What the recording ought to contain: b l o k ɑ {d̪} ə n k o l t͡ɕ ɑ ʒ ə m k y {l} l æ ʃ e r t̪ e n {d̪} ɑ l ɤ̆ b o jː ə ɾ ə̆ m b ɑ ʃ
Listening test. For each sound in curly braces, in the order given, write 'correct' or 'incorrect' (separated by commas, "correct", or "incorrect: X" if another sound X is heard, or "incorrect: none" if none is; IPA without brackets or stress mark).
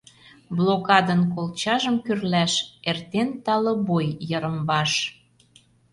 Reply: correct, incorrect: r, incorrect: t̪